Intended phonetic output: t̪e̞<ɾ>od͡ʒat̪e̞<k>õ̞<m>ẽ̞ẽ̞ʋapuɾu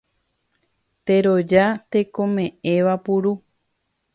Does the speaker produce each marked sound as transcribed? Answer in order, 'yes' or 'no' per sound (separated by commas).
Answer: yes, yes, yes